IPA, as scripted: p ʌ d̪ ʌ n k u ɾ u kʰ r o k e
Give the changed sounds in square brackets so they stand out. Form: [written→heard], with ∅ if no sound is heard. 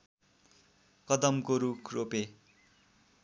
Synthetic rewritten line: [p→k] ʌ d̪ ʌ [n→m] k [u→o] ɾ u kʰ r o [k→p] e